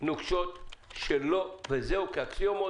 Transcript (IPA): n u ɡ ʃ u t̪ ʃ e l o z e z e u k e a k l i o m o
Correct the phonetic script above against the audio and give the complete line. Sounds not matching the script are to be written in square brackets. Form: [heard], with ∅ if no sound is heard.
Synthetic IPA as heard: n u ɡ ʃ [o] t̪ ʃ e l o [v] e z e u k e a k l i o m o